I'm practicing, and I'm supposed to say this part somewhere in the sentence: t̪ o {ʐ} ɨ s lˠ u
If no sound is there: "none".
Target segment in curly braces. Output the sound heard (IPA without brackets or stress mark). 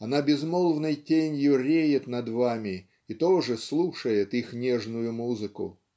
ʐ